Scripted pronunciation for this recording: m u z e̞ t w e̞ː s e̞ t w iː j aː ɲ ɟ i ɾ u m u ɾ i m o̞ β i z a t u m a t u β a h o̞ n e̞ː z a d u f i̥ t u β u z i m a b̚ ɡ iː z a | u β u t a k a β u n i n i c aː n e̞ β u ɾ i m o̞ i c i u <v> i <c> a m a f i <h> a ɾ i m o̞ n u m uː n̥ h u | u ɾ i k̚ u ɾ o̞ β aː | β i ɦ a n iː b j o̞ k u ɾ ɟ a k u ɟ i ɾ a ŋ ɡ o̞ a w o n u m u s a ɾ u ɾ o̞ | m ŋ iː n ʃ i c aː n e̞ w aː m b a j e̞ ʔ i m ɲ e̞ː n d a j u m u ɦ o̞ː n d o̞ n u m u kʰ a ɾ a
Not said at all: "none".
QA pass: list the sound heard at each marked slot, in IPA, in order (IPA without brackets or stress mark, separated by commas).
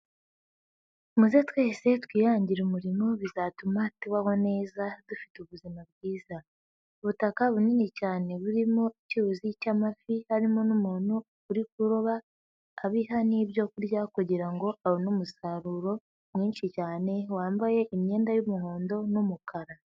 z, c, h